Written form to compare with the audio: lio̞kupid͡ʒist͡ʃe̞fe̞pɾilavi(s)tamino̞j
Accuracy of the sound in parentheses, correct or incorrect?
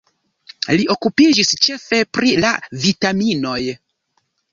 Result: incorrect